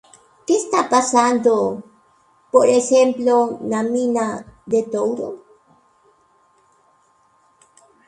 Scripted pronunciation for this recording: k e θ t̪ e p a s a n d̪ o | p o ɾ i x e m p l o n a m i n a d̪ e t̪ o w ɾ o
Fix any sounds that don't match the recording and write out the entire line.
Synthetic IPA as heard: k e s t̪ a p a s a n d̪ o | p o ɾ e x e m p l o n a m i n a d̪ e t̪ o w ɾ o